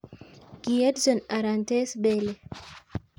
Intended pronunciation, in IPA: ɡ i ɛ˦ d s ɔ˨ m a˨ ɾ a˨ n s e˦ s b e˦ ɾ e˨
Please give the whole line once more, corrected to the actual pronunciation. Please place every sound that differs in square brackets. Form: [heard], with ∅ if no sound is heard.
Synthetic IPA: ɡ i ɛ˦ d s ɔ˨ [n] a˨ ɾ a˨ n [t] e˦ s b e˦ [l] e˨